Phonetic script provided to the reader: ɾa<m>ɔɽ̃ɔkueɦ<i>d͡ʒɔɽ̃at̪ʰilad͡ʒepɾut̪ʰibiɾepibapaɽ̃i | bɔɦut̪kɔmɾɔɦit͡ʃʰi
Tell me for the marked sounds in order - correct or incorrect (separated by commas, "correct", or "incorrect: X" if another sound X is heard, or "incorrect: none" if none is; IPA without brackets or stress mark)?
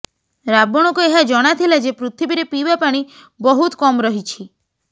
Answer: incorrect: b, incorrect: a